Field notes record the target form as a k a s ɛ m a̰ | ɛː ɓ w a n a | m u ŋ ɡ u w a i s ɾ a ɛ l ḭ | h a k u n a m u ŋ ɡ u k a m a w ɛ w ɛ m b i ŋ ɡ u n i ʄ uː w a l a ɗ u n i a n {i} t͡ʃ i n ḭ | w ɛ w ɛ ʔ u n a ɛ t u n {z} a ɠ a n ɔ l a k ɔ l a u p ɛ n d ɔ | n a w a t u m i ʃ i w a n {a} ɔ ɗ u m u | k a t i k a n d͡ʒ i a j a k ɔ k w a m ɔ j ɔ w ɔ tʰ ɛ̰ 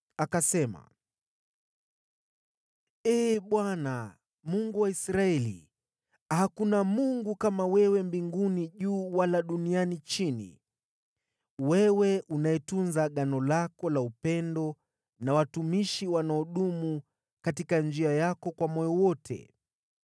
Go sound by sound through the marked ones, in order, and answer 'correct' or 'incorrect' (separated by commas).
correct, correct, correct